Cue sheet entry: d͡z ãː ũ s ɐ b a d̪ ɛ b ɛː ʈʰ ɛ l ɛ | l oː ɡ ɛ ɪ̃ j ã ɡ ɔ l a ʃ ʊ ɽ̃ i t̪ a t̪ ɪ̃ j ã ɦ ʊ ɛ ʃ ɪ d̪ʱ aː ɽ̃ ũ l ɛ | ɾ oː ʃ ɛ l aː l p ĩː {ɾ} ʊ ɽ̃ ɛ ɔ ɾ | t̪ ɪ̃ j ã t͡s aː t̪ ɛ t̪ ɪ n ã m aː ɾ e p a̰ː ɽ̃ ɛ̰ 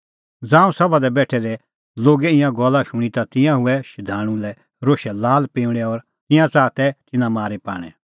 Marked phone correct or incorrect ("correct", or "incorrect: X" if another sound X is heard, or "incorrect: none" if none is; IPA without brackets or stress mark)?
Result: incorrect: none